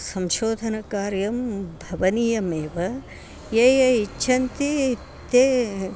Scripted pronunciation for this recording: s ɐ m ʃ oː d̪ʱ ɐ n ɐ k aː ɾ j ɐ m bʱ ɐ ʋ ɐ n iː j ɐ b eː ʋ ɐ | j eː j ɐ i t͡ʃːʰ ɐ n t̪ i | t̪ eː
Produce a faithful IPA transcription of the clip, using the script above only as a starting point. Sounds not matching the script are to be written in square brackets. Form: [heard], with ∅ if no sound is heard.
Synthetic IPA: s ɐ m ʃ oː d̪ʱ ɐ n ɐ k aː ɾ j ɐ m bʱ ɐ ʋ ɐ n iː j ɐ [m] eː ʋ ɐ | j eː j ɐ i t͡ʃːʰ ɐ n t̪ i | t̪ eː